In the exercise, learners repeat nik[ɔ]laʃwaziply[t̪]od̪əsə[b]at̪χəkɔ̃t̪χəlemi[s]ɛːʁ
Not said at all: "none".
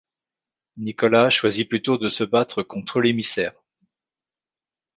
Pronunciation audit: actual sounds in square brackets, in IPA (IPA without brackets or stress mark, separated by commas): ɔ, t̪, b, s